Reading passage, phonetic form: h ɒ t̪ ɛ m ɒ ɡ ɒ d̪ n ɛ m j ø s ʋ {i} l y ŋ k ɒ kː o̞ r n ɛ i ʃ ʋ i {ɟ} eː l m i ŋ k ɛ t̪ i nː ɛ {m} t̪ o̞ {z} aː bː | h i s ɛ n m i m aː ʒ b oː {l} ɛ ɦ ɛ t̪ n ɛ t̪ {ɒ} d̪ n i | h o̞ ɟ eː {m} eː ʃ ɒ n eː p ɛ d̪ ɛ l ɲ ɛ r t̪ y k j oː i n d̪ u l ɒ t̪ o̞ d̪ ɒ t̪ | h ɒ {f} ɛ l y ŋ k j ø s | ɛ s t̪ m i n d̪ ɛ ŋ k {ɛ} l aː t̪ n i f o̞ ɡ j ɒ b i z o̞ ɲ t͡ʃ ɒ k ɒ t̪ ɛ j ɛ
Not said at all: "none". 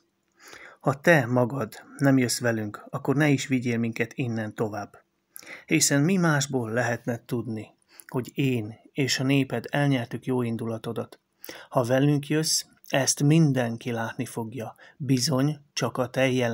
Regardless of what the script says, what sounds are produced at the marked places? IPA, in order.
ɛ, ɟ, n, v, lː, u, n, v, i

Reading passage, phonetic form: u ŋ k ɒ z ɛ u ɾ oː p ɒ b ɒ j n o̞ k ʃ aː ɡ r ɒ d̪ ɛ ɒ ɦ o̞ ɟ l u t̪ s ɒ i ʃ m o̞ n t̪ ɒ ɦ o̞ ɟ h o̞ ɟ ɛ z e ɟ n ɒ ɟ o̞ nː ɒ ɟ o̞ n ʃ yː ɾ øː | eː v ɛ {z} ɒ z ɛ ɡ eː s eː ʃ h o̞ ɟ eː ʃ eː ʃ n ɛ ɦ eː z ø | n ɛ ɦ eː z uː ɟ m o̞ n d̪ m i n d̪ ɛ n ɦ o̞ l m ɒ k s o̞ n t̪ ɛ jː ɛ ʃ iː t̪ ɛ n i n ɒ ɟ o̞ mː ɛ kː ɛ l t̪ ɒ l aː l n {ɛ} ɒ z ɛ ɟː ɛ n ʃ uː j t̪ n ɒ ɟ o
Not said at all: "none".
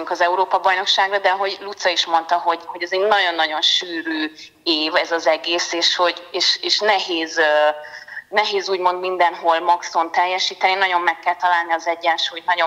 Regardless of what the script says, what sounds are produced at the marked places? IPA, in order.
z, i

